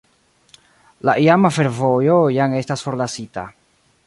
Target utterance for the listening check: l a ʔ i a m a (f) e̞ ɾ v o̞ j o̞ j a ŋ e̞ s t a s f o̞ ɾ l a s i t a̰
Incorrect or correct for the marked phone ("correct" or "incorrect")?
correct